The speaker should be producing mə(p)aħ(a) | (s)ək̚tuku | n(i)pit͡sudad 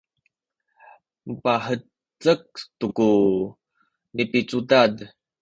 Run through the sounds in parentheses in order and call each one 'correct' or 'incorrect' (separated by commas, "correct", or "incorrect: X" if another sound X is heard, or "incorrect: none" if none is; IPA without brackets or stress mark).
correct, incorrect: ə, incorrect: t͡s, correct